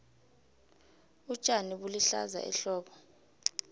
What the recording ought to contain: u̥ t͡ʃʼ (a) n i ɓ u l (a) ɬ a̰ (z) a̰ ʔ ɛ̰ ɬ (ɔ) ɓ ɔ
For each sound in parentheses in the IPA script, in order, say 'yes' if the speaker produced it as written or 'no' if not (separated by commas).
yes, no, yes, no